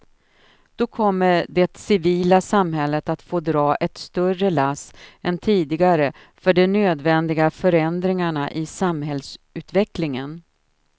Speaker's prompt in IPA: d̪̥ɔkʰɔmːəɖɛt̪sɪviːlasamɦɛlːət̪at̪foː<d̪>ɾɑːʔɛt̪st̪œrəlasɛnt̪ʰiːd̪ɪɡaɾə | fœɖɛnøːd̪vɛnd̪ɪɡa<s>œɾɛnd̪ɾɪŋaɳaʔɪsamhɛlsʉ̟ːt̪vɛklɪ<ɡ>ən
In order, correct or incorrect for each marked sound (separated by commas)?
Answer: correct, incorrect, incorrect